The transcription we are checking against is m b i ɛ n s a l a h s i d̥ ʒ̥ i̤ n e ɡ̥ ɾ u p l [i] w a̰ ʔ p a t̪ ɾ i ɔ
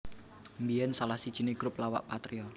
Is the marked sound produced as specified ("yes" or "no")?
no